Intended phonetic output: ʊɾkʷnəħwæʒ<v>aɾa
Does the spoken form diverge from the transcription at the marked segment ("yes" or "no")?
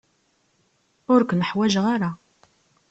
yes